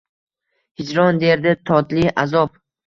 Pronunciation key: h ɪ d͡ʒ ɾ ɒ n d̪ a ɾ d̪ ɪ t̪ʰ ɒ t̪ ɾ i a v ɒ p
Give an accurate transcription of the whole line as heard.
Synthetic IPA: h ɪ d͡ʒ ɾ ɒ n d̪ e ɾ d̪ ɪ t̪ʰ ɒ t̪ l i a z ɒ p